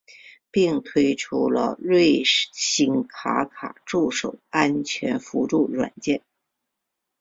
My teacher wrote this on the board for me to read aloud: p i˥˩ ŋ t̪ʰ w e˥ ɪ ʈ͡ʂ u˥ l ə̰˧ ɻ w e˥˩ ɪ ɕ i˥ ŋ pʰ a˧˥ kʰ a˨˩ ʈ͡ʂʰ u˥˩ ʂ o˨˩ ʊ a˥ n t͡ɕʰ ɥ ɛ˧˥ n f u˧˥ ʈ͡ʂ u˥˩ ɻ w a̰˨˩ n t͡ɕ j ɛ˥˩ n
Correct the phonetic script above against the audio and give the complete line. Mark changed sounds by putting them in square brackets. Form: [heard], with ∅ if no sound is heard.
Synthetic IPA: p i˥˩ ŋ t̪ʰ w e˥ ɪ [ʈ͡ʂʰ] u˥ l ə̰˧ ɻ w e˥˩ ɪ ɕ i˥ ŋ [kʰ] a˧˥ kʰ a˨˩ [ʈ͡ʂ] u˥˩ ʂ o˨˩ ʊ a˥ n t͡ɕʰ ɥ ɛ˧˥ n f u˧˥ ʈ͡ʂ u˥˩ ɻ w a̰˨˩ n t͡ɕ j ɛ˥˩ n